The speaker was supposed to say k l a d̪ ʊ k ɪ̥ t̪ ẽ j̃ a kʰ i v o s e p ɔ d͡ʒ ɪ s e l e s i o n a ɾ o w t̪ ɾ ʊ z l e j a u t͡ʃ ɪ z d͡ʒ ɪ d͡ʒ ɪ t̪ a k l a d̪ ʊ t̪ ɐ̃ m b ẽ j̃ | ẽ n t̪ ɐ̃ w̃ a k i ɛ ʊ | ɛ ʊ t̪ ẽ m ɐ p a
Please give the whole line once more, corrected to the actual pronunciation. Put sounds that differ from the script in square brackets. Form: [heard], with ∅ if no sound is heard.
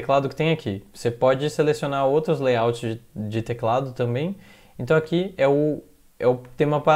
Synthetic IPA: k l a d̪ ʊ k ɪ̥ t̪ ẽ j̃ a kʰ i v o s e p ɔ d͡ʒ ɪ s e l e s i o n a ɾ o w t̪ ɾ ʊ z l e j a [w] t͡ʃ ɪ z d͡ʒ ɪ d͡ʒ ɪ t̪ [e] k l a d̪ ʊ t̪ ɐ̃ m b ẽ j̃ | ẽ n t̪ ɐ̃ w̃ a k i ɛ ʊ | ɛ ʊ t̪ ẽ m ɐ p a